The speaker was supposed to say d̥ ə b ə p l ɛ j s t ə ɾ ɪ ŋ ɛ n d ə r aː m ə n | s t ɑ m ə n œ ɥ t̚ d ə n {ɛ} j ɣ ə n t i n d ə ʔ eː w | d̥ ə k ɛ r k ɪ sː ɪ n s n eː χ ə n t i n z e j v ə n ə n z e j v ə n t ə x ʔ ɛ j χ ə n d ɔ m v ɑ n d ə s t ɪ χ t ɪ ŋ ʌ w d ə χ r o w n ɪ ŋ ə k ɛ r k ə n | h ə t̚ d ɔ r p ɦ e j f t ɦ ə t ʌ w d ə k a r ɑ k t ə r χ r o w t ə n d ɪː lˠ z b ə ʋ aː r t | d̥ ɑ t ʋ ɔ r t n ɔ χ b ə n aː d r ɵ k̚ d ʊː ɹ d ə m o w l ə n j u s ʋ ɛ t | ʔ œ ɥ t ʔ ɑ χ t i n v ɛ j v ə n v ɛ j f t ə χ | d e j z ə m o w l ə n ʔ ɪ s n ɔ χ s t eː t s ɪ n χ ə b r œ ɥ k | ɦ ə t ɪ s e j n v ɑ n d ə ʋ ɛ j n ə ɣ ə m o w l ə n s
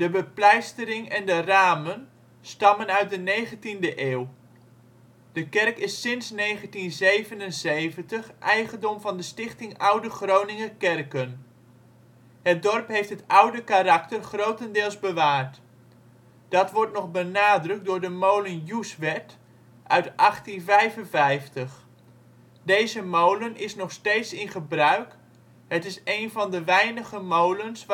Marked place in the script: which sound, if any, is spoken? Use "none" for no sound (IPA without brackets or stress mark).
e